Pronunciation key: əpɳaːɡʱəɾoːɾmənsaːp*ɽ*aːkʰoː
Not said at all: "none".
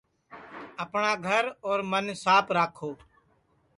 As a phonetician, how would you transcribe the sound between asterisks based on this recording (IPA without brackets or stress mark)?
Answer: ɾ